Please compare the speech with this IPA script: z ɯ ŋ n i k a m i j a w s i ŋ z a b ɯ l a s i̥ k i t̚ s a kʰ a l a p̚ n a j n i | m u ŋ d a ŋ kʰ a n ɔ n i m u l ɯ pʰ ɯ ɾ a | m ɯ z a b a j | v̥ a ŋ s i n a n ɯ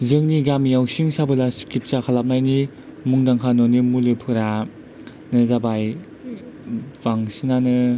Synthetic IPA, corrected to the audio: z ɯ ŋ n i ɡ a m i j a w s i ŋ s a b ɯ l a s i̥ k i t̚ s a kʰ a l a p̚ n a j n i | m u ŋ d a ŋ kʰ a n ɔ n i m u l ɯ pʰ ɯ ɾ a | n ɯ z a b a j | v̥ a ŋ s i n a n ɯ